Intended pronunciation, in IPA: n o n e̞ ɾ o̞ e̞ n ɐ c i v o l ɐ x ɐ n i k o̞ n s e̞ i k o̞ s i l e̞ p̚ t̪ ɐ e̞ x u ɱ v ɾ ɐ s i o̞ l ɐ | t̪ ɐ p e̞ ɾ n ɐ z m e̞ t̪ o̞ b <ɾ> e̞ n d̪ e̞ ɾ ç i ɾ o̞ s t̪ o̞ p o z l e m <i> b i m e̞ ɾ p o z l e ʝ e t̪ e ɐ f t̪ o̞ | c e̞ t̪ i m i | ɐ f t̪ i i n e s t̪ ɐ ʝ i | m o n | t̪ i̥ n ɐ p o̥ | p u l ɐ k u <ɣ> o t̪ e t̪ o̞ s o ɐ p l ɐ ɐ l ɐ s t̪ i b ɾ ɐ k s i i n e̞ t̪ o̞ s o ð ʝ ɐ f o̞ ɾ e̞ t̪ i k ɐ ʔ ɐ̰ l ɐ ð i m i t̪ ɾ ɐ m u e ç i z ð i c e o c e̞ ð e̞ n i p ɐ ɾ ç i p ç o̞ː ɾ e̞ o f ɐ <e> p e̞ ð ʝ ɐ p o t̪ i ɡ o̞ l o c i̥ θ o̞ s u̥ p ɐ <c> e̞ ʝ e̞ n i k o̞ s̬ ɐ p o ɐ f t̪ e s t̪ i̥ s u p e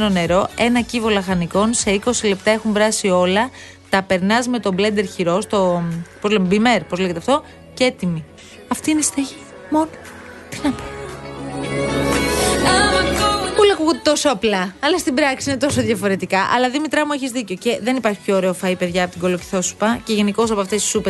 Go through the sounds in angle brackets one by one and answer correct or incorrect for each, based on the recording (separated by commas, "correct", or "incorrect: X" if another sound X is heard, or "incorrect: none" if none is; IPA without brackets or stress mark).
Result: incorrect: l, incorrect: e, correct, incorrect: i, correct